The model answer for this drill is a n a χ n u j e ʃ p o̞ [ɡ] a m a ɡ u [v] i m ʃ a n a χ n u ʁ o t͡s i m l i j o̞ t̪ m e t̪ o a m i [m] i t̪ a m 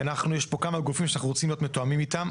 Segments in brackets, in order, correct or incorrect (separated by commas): incorrect, incorrect, correct